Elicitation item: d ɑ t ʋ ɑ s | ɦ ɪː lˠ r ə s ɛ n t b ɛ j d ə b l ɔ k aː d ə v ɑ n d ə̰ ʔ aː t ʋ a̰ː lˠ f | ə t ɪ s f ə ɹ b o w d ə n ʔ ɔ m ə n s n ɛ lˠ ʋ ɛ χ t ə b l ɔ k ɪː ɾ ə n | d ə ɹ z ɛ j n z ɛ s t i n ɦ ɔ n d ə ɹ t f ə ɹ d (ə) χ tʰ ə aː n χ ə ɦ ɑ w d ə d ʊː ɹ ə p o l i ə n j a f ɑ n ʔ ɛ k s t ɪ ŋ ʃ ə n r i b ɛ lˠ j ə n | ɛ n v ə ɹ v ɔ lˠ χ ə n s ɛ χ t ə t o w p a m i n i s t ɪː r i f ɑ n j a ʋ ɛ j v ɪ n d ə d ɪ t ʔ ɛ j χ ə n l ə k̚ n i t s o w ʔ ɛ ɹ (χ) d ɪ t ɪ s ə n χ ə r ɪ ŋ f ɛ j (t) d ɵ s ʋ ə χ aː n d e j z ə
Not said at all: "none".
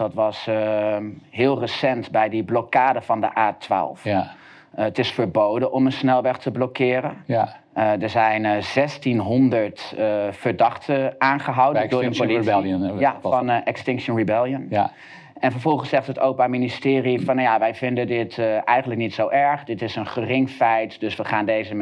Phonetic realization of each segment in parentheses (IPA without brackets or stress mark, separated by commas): ɑ, χ, t